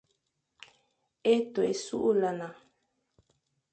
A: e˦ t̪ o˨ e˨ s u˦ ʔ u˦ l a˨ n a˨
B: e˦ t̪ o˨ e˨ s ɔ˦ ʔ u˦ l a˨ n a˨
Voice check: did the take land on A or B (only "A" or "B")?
A